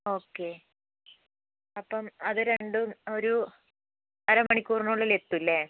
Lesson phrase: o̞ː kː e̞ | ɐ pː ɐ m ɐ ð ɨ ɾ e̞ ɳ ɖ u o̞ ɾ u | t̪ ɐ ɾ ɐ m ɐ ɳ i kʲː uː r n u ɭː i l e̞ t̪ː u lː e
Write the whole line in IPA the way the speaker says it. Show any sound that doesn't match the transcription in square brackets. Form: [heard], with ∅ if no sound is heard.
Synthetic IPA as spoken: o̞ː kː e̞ | ɐ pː ɐ m ɐ ð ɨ ɾ e̞ ɳ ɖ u o̞ ɾ u | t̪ ɐ ɾ ɐ m ɐ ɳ i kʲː uː r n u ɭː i l e̞ t̪ː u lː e